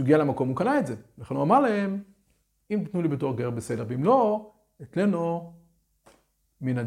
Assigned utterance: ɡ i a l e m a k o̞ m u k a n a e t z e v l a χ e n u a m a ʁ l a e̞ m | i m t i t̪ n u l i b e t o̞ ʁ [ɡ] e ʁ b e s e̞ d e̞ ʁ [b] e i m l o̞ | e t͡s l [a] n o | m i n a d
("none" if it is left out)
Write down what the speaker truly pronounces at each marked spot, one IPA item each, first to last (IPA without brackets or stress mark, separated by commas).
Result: ɡ, v, e